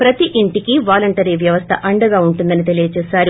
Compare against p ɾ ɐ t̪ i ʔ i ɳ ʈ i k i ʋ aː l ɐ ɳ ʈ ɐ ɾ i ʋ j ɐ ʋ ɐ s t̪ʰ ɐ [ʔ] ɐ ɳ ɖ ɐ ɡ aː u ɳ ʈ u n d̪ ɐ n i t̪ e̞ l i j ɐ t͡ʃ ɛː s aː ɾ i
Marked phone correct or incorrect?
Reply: correct